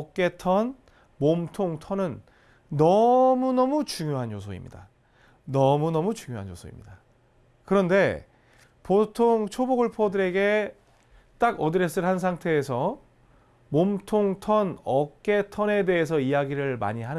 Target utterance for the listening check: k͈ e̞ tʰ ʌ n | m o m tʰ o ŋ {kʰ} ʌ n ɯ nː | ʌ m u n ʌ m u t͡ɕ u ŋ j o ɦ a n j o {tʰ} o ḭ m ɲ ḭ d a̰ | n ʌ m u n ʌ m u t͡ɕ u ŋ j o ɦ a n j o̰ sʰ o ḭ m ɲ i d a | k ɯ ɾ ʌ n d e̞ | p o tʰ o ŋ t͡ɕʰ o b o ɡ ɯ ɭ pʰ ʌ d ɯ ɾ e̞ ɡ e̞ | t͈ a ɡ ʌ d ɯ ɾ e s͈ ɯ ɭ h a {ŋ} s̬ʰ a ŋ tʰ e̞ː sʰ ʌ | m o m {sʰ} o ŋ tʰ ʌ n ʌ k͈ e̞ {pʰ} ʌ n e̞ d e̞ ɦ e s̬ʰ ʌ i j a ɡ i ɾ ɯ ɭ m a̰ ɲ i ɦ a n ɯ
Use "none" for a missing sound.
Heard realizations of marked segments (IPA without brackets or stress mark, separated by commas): tʰ, sʰ, n, tʰ, tʰ